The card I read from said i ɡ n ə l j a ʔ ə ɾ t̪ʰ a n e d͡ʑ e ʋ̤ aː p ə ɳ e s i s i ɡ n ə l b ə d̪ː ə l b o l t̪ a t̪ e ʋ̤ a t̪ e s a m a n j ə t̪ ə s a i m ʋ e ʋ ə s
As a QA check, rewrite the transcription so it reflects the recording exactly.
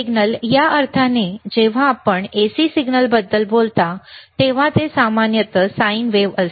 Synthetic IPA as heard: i ɡ n ə l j a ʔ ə ɾ t̪ʰ a n e d͡ʑ e ʋ̤ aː p ə ɳ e s i s i ɡ n ə l b ə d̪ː ə l b o l t̪ a t̪ e ʋ̤ a t̪ e s a m a n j ə t̪ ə s a i n ʋ e ʋ ə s